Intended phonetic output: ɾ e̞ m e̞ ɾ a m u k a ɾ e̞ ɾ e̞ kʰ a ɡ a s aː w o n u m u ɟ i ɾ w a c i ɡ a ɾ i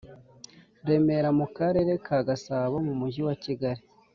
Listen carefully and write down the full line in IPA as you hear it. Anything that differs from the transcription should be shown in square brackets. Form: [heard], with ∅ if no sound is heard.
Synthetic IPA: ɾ e̞ m e̞ ɾ a m u k a ɾ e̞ ɾ e̞ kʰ a ɡ a s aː [β] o [m] u m u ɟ i [∅] w a c i ɡ a ɾ i